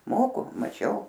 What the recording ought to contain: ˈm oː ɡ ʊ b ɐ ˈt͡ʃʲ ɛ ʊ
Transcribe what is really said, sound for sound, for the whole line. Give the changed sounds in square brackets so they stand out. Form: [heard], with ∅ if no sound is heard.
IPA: ˈm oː [k] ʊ [m] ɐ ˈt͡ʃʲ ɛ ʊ